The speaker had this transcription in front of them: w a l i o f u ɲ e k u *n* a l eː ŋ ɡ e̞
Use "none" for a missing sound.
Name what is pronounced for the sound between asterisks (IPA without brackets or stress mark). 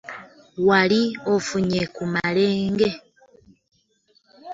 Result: m